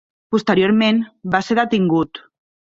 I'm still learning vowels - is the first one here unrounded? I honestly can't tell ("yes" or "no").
no